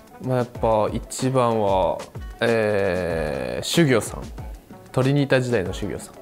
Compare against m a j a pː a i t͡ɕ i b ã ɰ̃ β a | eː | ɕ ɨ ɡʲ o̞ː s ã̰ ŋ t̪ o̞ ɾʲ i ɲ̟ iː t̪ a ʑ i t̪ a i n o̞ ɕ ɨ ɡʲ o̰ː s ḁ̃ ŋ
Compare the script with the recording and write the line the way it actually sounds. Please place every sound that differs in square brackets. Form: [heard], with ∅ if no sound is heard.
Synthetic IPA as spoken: m a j a pː a i t͡ɕ i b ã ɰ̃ β a | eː | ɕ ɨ ɡʲ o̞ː s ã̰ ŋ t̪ o̞ ɾʲ i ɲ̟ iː t̪ a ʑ i [d̪] a i n o̞ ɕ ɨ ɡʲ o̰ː s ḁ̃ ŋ